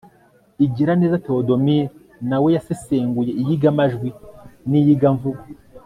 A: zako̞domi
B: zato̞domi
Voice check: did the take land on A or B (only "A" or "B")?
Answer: B